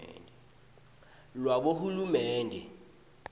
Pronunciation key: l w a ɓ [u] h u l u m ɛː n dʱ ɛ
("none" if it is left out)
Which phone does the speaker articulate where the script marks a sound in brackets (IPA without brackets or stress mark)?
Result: o